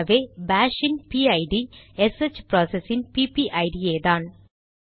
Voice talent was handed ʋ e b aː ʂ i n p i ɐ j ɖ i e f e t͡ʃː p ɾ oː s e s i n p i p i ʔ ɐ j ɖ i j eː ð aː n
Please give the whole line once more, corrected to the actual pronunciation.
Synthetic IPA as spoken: ʋ e b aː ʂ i n p i ɐ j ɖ i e s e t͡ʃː p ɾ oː s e s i n p i p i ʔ ɐ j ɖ i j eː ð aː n